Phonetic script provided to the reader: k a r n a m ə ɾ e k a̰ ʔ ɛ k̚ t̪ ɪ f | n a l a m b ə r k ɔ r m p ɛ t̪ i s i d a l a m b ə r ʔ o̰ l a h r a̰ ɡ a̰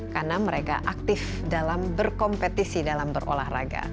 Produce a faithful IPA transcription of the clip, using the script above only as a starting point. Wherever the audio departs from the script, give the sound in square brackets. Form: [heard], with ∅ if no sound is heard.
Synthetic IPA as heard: k a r n a m ə ɾ e k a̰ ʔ [a] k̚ t̪ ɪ f | [d] a l a m b ə r k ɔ [∅] m p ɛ t̪ i s i d a l a m b ə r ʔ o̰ l a h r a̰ ɡ a̰